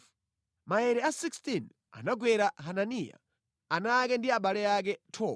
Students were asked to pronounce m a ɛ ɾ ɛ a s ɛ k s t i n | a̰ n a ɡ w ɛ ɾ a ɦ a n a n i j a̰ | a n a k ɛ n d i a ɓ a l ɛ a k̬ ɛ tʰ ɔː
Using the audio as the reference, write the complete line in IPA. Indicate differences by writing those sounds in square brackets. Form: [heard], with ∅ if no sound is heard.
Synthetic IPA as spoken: m a ɛ ɾ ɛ a s [i] k s t i n | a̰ n a ɡ w ɛ ɾ a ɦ a n a n i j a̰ | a n a k ɛ n d i a ɓ a l ɛ a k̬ ɛ tʰ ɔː